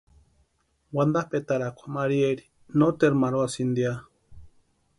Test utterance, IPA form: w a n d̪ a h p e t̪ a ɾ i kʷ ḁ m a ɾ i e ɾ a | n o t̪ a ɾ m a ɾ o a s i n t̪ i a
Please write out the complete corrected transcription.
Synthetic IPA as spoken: w a n d̪ a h p e t̪ a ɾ a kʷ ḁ m a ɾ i e ɾ i | n o t̪ e ɾ m a ɾ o a s i n d̪ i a